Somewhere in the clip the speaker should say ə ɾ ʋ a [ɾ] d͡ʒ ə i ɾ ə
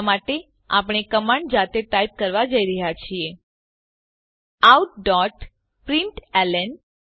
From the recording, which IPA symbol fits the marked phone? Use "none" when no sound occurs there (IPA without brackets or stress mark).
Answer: none